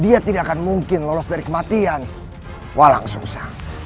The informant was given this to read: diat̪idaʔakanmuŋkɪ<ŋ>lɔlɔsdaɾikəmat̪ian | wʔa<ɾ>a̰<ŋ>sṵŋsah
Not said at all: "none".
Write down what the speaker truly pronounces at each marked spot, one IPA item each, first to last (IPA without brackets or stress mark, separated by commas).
n, l, ŋ